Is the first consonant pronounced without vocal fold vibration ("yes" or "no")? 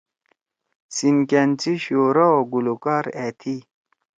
yes